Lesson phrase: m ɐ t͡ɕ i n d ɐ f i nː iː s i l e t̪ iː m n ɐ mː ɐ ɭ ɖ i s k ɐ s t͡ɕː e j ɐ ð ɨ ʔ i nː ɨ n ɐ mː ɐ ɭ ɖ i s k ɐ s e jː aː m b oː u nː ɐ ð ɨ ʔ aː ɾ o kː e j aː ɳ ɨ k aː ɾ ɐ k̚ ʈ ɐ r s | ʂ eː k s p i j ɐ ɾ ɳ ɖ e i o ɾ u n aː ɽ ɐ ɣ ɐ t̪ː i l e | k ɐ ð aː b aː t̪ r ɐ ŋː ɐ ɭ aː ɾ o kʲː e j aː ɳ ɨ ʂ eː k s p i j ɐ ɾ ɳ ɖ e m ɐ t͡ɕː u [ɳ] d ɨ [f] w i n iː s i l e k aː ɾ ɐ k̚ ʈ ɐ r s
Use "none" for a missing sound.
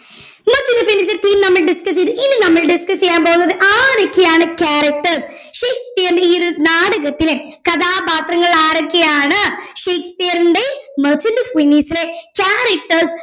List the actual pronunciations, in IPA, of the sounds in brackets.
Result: n, f

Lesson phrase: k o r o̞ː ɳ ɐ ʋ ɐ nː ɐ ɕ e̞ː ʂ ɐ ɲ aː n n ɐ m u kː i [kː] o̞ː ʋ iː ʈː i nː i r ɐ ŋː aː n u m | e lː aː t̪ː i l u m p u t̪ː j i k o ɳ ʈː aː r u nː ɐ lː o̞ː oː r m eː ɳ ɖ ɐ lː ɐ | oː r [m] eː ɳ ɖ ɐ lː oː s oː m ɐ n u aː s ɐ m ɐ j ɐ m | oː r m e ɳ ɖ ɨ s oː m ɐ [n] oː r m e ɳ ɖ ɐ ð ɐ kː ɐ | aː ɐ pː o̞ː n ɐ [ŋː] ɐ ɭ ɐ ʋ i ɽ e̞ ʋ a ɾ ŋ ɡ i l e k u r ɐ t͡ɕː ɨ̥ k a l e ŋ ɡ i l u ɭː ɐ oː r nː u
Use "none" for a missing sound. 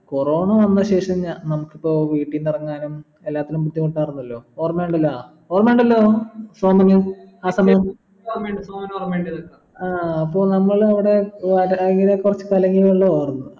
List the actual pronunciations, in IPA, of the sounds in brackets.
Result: pː, m, n, mː

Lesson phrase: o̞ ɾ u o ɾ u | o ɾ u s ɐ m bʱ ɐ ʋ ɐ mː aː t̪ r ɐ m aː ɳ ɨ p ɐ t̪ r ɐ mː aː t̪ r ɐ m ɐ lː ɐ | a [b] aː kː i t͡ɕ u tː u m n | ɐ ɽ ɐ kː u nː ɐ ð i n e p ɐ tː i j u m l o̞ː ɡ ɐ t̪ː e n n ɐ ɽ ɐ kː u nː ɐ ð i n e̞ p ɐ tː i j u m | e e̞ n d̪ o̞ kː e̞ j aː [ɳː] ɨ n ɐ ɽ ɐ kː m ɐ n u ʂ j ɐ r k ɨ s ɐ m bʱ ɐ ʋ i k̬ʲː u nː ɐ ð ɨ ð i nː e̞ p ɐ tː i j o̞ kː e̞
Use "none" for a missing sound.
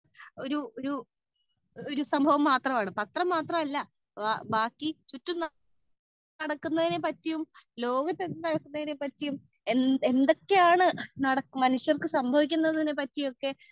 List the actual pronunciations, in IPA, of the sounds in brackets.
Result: b, ɳ

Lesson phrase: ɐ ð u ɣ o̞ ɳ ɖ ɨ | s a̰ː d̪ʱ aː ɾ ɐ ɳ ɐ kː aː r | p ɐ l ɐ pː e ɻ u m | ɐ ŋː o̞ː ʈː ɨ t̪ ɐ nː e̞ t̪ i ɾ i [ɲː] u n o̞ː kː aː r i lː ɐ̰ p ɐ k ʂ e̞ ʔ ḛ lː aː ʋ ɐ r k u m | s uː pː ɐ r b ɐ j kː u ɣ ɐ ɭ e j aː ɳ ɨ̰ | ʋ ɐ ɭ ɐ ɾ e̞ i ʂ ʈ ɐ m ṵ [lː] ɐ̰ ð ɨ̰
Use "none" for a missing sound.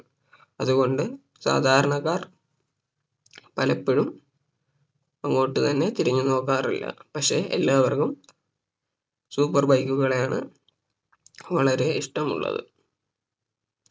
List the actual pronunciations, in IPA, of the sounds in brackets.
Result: ɲː, ɭː

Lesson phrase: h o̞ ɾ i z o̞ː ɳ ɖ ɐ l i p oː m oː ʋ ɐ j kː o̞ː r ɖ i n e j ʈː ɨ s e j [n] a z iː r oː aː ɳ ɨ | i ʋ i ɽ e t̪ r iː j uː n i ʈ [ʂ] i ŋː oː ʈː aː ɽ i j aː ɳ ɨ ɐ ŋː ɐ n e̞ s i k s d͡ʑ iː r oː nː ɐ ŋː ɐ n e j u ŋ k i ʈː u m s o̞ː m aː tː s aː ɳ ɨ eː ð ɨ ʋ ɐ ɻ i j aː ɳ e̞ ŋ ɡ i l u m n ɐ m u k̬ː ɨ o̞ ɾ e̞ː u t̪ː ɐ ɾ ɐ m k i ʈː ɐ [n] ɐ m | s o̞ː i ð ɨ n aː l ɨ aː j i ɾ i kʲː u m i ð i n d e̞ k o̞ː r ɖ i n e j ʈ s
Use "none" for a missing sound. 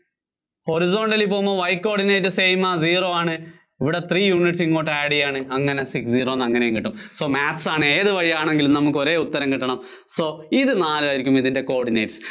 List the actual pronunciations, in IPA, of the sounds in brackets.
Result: m, s, ɳ

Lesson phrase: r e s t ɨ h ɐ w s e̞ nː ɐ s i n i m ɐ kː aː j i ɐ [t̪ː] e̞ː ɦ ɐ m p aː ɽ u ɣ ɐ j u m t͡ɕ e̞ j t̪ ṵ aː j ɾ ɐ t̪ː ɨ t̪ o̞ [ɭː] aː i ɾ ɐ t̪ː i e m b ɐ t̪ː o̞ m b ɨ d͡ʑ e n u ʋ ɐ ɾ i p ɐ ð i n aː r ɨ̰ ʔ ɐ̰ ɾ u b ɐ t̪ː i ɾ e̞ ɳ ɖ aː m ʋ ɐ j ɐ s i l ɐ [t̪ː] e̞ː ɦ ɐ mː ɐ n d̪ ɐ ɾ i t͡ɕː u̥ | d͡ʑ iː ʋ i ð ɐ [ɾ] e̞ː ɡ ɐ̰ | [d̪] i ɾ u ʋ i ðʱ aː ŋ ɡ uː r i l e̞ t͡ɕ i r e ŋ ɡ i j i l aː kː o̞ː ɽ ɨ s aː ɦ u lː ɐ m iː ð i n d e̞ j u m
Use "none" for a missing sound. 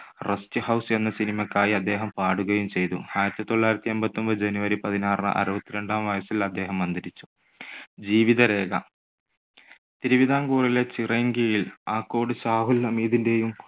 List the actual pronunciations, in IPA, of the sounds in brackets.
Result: d̪ː, ɭː, d̪ː, ɾ, t̪

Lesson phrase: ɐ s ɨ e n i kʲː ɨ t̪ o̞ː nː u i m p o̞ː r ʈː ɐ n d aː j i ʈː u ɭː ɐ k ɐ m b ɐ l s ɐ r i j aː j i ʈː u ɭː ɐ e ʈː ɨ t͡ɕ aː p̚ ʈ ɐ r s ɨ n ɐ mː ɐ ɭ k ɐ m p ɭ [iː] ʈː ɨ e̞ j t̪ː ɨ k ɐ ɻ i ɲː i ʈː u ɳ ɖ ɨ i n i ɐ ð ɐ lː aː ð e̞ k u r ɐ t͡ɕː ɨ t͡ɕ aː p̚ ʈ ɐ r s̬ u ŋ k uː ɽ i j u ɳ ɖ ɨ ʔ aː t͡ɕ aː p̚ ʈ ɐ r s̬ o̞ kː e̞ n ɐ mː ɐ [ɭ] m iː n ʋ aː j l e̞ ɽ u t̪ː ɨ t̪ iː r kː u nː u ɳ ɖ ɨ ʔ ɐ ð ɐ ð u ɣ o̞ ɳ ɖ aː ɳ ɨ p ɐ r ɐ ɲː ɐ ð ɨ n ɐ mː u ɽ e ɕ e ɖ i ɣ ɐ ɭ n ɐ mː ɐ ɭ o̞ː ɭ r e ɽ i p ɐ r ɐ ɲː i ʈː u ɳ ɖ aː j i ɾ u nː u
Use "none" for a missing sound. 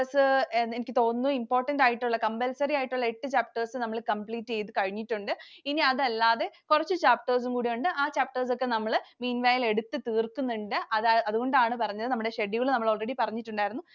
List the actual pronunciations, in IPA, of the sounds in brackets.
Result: iː, ɭ

